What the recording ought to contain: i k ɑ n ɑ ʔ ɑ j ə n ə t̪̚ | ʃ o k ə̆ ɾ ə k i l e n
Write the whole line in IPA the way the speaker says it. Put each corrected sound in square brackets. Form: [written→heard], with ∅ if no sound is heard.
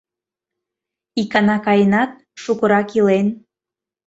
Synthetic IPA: i k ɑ n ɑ [ʔ→k] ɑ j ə n [ə→ɑ] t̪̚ | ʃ [o→u] k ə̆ ɾ [ə→ɑ] k i l e n

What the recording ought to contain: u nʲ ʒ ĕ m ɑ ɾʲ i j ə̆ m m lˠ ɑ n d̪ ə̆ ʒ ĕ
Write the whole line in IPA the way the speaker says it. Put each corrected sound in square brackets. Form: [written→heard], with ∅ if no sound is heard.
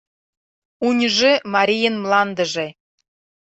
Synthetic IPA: u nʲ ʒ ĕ m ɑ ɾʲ i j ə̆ [m→n] m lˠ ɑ n d̪ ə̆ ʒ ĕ

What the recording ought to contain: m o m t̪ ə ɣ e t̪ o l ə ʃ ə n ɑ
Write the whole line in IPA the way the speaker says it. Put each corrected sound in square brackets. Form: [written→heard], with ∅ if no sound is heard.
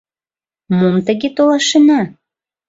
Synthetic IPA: m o m t̪ ə ɣ e t̪ o l [ə→ɑ] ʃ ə n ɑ

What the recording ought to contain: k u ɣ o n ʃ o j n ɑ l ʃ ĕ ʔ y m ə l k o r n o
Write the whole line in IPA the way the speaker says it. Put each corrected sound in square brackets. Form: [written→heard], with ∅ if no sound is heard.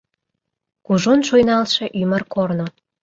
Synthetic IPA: k u [ɣ→ʒ] o n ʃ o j n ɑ l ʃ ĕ ʔ y m ə [l→r] k o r n o

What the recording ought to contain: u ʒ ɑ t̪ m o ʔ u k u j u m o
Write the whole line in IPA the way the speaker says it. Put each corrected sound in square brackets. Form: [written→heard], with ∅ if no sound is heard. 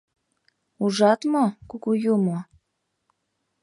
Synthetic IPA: u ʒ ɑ t̪ m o [ʔ→k] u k u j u m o

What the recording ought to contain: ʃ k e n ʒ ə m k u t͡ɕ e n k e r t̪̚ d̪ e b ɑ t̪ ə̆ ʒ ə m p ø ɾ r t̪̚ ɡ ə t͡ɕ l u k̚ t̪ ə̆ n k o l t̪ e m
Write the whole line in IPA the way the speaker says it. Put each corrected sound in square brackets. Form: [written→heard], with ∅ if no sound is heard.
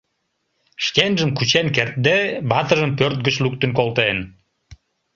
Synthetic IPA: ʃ k e n ʒ ə m k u t͡ɕ e n k e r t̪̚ d̪ e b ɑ t̪ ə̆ ʒ ə m p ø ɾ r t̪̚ ɡ ə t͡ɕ l u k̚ t̪ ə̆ n k o l t̪ e [m→n]

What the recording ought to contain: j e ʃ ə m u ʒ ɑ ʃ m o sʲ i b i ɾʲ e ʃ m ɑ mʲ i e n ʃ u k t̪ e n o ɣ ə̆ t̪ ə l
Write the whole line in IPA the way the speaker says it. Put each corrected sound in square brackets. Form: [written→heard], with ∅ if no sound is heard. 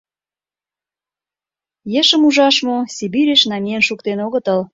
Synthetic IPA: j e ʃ ə m u ʒ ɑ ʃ m o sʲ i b i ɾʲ e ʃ [m→n] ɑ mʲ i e n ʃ u k t̪ e n o ɣ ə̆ t̪ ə l

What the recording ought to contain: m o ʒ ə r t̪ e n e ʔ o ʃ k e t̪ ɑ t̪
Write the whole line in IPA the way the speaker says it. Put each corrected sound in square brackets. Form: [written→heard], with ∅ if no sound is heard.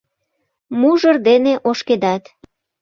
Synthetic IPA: m [o→u] ʒ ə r [t̪→d̪] e n e ʔ o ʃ k e [t̪→d̪] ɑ t̪

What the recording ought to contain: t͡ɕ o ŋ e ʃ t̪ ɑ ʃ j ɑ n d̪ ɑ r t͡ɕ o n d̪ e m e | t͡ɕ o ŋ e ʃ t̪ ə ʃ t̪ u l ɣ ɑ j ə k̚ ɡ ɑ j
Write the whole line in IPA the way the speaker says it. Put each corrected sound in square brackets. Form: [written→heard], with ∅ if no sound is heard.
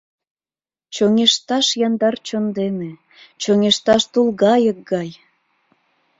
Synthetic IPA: t͡ɕ o ŋ e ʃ t̪ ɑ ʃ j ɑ n d̪ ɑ r t͡ɕ o n d̪ e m e | t͡ɕ o ŋ e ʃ t̪ [ə→ɑ] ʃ t̪ u l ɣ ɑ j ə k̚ ɡ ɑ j

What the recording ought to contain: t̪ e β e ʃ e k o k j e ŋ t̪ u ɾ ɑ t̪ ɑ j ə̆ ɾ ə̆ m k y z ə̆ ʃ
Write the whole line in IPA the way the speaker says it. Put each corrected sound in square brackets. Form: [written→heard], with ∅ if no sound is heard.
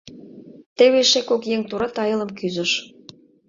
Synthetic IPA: t̪ e β e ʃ e k o k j e ŋ t̪ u ɾ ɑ t̪ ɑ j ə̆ [ɾ→l] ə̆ m k y z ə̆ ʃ

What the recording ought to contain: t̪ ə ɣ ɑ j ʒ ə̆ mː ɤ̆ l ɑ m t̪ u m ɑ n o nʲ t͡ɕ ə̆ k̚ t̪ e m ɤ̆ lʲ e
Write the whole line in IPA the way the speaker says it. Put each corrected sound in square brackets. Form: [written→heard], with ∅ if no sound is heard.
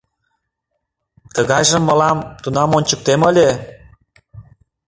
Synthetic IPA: t̪ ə ɣ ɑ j ʒ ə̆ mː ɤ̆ l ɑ m t̪ u [m→n] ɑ [n→m] o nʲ t͡ɕ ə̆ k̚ t̪ e m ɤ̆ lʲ e

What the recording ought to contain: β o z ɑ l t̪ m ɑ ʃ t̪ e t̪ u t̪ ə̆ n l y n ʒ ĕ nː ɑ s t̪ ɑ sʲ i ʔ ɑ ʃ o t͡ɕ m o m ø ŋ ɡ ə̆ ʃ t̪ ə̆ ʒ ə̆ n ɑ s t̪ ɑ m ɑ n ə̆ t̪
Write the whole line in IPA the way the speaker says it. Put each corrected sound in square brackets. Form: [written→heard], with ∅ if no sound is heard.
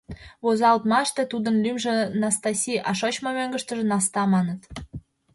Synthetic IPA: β o z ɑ l t̪ m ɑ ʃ t̪ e t̪ u [t̪→d̪] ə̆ n l y [n→m] ʒ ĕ [nː→n] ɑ s t̪ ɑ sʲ i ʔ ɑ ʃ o t͡ɕ m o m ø ŋ ɡ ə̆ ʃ t̪ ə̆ ʒ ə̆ n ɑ s t̪ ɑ m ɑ n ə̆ t̪

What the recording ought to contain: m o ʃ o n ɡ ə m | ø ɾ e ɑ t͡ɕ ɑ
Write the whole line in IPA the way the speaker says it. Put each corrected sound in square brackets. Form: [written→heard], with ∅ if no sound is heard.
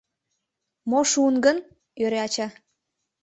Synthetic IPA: m o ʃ [o→u] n ɡ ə [m→n] | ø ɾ e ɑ t͡ɕ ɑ

